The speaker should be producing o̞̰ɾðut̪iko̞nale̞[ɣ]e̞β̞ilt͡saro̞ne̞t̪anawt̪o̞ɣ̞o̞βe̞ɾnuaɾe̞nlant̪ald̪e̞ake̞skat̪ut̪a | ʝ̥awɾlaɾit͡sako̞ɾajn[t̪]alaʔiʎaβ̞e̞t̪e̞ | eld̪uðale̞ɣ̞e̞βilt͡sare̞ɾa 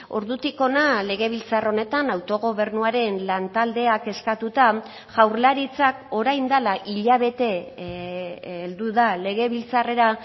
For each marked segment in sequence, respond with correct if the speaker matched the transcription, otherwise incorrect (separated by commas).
correct, incorrect